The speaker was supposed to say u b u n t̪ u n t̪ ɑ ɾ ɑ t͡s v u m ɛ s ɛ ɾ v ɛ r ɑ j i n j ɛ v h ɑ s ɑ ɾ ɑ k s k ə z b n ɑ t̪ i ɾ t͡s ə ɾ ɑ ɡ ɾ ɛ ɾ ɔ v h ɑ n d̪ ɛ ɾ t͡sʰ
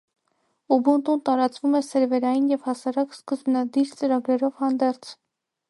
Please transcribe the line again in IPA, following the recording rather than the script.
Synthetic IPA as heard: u b u n t̪ u n t̪ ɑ ɾ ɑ t͡s v u m ɛ s ɛ ɾ v ɛ ɾ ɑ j i n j ɛ v h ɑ s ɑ ɾ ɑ k s k ə z b n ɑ d̪ i ɾ t͡s ə ɾ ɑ ɡ ɾ ɛ ɾ ɔ v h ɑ n d̪ ɛ ɾ t͡sʰ